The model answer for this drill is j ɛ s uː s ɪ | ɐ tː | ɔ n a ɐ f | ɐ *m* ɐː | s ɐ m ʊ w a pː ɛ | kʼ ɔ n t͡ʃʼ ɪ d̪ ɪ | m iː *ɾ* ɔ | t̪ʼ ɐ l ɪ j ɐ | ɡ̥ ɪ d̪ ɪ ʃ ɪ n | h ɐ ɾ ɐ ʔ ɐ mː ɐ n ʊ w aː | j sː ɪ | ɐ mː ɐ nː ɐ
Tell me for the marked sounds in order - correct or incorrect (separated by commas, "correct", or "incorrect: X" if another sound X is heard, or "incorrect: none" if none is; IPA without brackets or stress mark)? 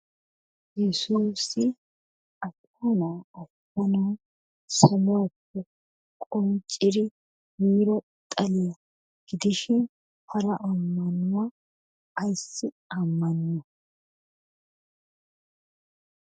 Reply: incorrect: n, correct